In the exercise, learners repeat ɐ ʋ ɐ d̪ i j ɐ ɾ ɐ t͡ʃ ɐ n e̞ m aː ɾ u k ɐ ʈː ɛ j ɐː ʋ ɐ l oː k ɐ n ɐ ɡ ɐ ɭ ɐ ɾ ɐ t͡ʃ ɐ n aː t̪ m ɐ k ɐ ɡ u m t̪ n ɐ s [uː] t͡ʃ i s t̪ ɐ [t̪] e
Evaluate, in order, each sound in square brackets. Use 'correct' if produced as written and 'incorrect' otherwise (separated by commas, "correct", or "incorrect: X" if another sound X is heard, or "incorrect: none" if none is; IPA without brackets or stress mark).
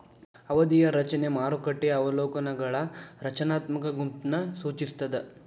correct, incorrect: d̪